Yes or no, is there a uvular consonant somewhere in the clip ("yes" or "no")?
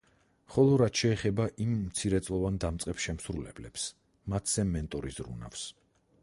yes